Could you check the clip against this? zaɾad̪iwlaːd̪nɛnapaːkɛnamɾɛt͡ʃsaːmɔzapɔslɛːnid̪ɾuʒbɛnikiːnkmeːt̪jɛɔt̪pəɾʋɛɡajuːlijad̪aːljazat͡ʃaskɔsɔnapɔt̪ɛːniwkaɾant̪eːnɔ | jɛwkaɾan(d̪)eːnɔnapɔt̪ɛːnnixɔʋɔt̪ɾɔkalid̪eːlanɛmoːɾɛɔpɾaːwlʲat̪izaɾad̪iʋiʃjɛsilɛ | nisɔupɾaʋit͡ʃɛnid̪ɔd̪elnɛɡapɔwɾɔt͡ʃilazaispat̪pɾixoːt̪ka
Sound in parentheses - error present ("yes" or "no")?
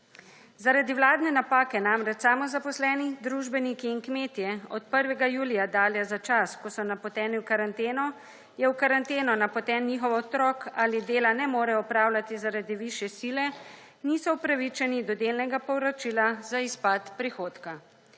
yes